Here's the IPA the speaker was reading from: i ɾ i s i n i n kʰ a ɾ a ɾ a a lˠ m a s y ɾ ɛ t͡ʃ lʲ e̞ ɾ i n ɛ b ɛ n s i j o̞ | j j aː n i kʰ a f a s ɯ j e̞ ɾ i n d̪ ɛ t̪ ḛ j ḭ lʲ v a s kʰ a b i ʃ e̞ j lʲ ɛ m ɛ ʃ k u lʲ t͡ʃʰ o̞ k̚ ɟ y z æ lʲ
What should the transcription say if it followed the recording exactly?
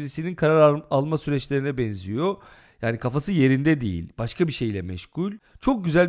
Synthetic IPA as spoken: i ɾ i s i n i n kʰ a ɾ a ɾ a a lˠ m a s y ɾ ɛ t͡ʃ lʲ e̞ ɾ i n ɛ b ɛ n z i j o̞ | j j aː n i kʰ a f a s ɯ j e̞ ɾ i n d̪ ɛ d̪ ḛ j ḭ lʲ b a ʃ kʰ a b i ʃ e̞ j lʲ ɛ m ɛ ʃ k u lʲ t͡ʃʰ o̞ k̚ ɟ y z æ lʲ